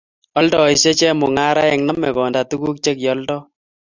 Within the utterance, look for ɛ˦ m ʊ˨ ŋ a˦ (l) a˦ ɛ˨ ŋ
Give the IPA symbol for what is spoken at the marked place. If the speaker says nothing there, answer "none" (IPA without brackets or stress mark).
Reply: ɾ